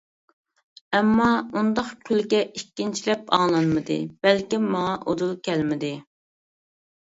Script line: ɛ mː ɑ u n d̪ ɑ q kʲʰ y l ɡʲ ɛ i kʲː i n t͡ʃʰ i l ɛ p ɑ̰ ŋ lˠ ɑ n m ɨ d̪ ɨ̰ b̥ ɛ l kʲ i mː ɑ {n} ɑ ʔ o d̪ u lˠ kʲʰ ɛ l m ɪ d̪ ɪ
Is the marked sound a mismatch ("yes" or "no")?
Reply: yes